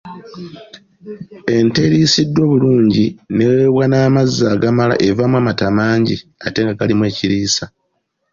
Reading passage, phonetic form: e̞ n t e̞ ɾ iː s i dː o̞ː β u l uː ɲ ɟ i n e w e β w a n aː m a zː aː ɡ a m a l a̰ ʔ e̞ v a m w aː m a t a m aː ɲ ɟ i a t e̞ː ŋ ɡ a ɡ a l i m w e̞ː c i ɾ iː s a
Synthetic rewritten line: e̞ n t e̞ ɾ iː s i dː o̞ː β u l uː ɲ ɟ i n e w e β w a n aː m a zː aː ɡ a m a l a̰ ʔ e̞ v a m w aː m a t a m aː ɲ ɟ i a t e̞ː ŋ ɡ a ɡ a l i m w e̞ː c i ɾ iː s a